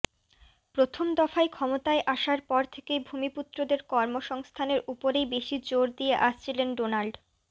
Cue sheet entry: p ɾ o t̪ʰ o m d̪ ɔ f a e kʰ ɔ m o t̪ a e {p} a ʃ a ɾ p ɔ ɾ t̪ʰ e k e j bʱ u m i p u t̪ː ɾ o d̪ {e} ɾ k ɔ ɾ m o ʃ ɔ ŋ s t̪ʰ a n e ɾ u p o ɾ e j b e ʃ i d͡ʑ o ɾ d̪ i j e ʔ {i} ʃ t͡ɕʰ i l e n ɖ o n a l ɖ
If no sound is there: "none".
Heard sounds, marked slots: ʔ, e, a

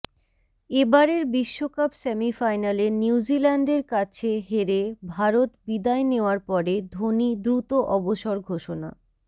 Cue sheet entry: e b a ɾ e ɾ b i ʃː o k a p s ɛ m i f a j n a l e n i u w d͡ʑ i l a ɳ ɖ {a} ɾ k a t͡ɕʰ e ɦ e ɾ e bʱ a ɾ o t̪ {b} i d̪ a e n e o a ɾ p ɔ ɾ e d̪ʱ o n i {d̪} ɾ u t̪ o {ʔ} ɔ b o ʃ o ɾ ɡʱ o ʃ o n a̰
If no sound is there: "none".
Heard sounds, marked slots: e, b, d̪, ʔ

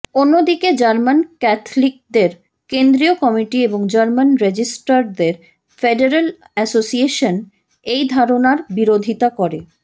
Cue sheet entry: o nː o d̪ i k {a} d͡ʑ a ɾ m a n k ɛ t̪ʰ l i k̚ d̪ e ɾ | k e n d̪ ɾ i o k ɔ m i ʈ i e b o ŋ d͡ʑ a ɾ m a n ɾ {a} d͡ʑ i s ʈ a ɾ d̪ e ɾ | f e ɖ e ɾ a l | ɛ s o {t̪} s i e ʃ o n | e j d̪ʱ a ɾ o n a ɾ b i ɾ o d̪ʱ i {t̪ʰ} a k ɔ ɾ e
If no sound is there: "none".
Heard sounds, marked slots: e, e, none, t̪

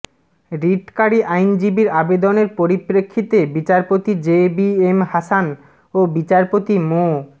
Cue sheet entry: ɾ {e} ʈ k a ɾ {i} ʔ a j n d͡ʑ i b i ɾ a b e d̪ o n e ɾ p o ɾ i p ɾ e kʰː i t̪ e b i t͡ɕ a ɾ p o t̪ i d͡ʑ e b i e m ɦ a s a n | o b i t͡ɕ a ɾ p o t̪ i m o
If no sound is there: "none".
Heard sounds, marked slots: i, i

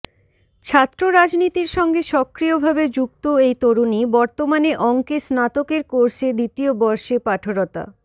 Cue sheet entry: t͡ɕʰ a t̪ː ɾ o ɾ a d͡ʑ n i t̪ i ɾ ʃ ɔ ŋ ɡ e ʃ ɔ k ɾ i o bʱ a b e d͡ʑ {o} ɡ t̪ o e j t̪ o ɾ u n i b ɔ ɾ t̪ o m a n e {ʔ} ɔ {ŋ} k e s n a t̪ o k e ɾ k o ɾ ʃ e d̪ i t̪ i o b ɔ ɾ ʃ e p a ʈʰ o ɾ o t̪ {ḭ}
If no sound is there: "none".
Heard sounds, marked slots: u, ʔ, ŋ, a̰

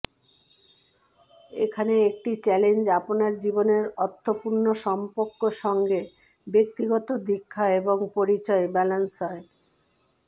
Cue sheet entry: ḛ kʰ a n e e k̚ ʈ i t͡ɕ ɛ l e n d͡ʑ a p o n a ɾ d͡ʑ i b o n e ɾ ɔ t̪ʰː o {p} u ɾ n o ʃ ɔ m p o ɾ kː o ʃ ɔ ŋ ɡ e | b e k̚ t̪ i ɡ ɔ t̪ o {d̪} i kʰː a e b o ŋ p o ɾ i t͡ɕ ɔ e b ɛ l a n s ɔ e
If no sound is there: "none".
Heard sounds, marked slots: p, d̪

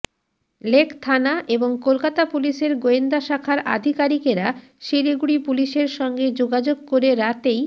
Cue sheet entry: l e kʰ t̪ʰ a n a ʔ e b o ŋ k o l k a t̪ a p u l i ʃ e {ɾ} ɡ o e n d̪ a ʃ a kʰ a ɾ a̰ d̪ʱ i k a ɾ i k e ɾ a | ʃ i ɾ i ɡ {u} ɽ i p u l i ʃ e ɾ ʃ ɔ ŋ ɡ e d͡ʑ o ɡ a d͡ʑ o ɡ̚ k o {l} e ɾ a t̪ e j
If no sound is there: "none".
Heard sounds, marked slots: ɾ, u, ɾ

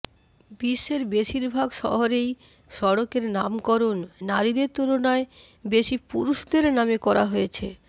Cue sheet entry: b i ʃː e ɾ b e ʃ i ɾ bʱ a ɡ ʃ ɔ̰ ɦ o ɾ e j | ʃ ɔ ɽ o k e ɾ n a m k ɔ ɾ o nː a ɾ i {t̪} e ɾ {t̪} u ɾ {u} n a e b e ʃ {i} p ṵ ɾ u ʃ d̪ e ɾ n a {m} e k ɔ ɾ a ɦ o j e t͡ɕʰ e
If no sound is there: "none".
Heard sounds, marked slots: d̪, t̪, o, i, m

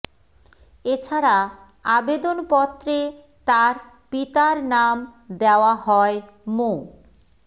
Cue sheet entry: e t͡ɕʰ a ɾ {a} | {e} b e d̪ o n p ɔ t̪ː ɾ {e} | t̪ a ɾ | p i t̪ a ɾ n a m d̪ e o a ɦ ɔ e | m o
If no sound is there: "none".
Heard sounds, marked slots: a, a, e

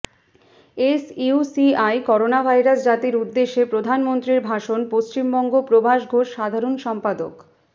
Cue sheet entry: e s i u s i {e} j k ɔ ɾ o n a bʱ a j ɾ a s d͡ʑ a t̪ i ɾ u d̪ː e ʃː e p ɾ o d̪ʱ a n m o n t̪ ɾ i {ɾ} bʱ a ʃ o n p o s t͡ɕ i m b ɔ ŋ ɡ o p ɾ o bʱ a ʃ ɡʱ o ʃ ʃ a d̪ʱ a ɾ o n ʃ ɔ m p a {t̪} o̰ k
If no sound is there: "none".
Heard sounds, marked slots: a, ɾ, d̪

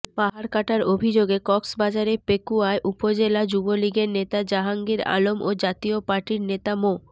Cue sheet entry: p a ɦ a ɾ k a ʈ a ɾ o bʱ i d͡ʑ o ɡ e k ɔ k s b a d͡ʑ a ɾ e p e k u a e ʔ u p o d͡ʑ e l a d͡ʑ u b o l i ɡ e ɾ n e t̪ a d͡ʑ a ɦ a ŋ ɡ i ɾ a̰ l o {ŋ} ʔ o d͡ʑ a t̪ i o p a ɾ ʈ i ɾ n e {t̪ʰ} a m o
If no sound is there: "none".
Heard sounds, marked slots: m, t̪

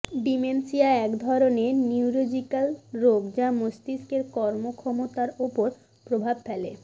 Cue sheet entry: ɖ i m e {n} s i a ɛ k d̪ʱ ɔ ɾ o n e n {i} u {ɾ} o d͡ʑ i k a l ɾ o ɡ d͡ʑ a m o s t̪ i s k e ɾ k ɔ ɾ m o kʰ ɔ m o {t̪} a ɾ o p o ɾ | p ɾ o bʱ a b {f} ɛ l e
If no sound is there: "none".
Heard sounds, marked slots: n, i, ɾ, t̪, f

